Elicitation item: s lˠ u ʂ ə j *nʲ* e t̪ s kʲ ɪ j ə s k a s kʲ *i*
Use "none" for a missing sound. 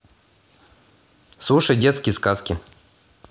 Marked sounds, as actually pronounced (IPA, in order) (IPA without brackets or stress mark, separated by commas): dʲ, ɪ